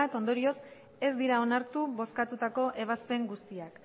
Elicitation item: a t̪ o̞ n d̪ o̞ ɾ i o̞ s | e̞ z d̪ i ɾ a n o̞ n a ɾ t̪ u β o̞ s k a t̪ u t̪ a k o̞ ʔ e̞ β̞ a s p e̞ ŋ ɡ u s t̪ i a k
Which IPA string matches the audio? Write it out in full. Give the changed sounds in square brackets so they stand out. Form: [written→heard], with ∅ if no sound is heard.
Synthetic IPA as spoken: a t̪ o̞ n d̪ o̞ ɾ i o̞ s | e̞ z d̪ i ɾ a [n→∅] o̞ n a ɾ t̪ u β o̞ s k a t̪ u t̪ a k o̞ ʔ e̞ β̞ a s p e̞ ŋ ɡ u s t̪ i a k